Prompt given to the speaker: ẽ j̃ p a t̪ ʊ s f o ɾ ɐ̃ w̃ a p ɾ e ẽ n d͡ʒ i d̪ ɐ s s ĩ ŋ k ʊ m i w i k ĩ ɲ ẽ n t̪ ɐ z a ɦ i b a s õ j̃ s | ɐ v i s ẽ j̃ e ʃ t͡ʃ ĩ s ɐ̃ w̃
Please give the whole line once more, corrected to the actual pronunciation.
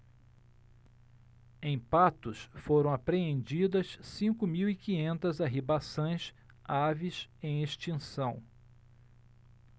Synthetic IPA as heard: ẽ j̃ p a t̪ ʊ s f o ɾ ɐ̃ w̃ a p ɾ e ẽ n d͡ʒ i d̪ ɐ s s ĩ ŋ k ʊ m i w i k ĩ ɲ ẽ n t̪ ɐ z a ɦ i b a s õ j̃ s | a v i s ẽ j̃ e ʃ t͡ʃ ĩ s ɐ̃ w̃